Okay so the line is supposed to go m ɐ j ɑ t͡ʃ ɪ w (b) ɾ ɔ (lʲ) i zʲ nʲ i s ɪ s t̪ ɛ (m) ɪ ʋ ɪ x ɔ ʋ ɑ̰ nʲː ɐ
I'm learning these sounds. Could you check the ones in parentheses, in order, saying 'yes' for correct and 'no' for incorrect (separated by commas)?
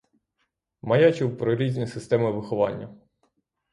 no, no, yes